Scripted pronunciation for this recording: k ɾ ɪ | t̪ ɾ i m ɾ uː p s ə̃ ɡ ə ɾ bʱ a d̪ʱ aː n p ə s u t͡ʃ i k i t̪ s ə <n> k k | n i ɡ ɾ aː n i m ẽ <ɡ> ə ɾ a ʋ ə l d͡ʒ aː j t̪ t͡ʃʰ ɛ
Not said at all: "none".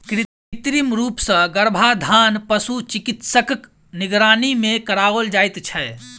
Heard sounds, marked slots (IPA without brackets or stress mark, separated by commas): none, k